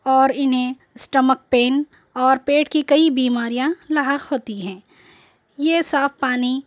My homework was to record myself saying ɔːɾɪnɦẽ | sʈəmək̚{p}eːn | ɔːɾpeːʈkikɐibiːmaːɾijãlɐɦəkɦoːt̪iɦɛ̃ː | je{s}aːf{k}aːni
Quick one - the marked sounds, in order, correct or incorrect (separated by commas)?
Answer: correct, correct, incorrect